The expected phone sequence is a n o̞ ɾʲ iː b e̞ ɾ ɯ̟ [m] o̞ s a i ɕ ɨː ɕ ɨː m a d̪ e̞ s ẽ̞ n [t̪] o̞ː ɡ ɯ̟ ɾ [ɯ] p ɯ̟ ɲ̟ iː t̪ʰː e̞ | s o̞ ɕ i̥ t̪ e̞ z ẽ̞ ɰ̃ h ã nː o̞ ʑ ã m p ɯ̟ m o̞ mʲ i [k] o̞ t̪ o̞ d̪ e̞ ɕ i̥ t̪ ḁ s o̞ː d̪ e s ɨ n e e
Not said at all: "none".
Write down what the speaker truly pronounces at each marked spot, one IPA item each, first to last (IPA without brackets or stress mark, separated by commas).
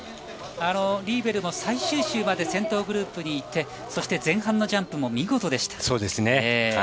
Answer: m, t̪, ɯː, ɡ